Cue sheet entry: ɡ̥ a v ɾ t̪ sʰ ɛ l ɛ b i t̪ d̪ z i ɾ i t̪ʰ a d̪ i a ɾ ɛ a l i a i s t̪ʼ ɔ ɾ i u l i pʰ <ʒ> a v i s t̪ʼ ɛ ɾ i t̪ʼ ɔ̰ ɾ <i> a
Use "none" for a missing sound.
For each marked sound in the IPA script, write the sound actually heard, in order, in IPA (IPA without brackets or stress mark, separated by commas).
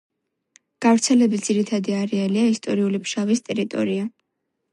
ʃ, i